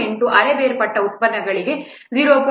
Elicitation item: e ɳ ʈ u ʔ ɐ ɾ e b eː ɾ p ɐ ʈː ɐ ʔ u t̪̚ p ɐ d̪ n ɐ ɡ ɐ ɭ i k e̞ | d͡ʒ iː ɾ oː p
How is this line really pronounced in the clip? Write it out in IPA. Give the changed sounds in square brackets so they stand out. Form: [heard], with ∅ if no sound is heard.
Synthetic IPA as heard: e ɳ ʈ u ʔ ɐ ɾ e b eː ɾ p ɐ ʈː ɐ [∅] u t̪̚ p ɐ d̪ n ɐ ɡ ɐ ɭ i [ɡ] e̞ | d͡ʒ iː ɾ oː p